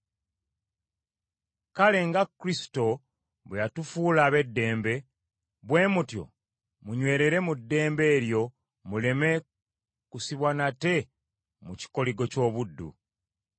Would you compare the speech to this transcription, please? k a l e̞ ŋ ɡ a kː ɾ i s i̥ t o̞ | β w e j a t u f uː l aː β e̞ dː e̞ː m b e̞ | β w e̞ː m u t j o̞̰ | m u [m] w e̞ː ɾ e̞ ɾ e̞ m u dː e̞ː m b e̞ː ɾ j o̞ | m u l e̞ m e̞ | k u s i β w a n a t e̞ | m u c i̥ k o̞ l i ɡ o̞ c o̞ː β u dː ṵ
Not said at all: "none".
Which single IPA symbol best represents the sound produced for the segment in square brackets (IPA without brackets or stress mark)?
ɲ